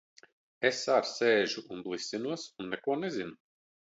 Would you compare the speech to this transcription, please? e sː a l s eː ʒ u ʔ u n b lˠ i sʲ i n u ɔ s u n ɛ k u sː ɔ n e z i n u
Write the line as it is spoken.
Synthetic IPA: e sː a ɾ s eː ʒ u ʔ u n b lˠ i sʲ i n u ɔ s u nː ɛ k u ɔ n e z i n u